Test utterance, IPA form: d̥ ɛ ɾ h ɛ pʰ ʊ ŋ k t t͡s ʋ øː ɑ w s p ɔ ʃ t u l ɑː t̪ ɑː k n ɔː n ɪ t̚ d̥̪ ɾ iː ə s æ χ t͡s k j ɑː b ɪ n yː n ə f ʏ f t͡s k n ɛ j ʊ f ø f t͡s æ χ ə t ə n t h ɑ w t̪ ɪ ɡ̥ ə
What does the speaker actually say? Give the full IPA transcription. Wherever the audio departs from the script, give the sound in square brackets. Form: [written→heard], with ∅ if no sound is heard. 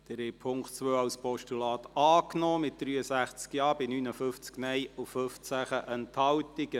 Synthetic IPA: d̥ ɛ ɾ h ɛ pʰ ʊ ŋ k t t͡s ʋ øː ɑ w s p ɔ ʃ t u l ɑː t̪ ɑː k n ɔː [n→m] ɪ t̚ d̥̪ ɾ [iː→yː] ə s æ χ t͡s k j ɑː b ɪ n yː n ə f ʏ f t͡s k n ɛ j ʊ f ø f t͡s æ χ ə [t→ʔ] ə n t h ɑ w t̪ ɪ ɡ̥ ə